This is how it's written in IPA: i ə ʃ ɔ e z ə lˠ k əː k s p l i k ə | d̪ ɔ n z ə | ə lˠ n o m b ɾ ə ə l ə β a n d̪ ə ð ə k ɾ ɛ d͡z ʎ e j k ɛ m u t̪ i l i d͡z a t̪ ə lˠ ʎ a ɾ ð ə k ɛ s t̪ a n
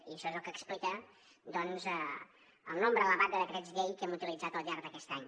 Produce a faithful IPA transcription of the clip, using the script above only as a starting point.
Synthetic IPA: i ə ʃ ɔ e z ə lˠ k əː k s p l i k ə | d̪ ɔ n z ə | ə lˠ n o m b ɾ ə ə l ə β a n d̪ ə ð ə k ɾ ɛ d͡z ʎ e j k ɛ m u t̪ i l i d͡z a t̪ ə lˠ ʎ a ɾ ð ə k ɛ s t̪ a ɲ